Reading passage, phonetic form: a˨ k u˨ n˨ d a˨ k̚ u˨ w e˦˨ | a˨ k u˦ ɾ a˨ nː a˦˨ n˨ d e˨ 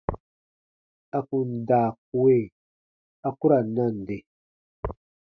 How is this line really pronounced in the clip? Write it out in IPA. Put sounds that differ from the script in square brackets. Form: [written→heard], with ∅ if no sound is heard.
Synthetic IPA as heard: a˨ k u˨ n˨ d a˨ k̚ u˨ w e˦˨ | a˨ k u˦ ɾ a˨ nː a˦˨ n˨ d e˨